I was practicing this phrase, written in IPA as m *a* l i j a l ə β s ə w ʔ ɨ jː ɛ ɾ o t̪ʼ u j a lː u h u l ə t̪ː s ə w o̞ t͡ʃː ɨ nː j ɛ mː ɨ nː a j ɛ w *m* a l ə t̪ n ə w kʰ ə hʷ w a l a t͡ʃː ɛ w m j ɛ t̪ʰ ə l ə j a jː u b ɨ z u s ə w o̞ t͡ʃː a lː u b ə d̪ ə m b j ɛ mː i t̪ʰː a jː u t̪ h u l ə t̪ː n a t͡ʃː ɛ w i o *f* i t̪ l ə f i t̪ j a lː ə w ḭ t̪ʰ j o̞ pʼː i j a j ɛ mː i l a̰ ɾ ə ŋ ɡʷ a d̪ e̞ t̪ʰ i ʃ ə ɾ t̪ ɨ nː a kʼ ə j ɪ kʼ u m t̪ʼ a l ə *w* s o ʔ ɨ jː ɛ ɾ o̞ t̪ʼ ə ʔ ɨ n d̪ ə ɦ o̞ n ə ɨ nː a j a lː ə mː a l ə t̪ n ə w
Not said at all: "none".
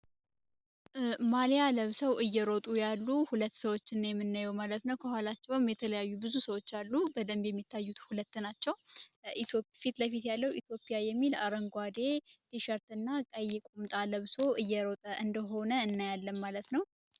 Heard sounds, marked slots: a, m, f, β

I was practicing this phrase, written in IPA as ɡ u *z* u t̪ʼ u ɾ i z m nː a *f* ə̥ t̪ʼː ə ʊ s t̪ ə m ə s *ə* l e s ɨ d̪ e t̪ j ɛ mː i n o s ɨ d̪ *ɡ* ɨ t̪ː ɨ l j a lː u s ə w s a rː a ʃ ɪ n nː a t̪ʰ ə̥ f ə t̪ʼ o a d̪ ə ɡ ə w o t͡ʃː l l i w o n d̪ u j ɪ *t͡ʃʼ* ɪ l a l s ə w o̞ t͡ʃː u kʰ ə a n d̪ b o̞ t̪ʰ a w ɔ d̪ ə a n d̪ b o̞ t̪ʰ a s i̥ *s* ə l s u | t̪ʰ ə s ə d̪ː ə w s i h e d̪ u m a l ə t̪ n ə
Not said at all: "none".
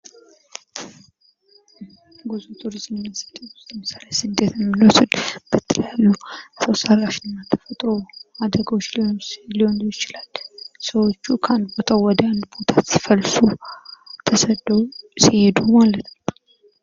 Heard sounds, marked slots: z, s, a, b, t͡ʃ, f

